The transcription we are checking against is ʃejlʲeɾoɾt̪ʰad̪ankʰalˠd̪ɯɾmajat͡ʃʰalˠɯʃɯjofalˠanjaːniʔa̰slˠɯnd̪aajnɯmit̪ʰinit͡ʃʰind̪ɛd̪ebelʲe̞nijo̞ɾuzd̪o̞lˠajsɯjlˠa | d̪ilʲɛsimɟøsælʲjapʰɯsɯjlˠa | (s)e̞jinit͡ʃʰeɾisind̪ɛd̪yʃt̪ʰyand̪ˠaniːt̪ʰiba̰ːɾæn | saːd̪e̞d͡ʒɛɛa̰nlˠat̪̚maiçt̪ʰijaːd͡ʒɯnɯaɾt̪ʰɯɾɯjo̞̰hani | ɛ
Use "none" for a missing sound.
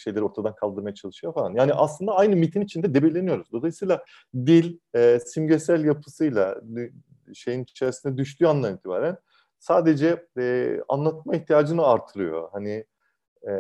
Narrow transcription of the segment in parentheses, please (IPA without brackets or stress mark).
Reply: ʃ